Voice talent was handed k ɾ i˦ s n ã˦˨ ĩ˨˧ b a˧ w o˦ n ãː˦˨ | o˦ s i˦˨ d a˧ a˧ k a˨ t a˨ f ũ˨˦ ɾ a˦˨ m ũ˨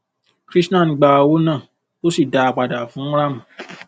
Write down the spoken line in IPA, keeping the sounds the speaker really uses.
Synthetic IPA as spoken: k ɾ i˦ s n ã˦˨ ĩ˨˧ ɡ͡b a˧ w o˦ n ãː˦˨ | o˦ s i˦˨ d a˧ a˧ k͡p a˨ d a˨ f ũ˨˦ ɾ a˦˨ m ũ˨